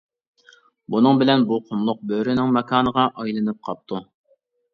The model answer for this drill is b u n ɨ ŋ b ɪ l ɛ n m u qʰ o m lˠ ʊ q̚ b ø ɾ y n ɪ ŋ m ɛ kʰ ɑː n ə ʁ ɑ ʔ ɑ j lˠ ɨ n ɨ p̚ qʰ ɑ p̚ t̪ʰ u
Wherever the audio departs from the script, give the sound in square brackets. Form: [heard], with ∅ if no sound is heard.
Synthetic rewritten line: b u n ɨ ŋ b ɪ l ɛ n [b] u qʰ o m lˠ ʊ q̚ b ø ɾ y n ɪ ŋ m ɛ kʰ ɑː n ə ʁ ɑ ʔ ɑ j lˠ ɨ n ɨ p̚ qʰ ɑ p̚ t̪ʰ u